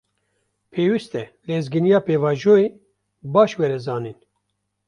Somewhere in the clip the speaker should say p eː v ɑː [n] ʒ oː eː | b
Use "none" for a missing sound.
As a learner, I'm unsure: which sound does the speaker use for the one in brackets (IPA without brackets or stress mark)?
none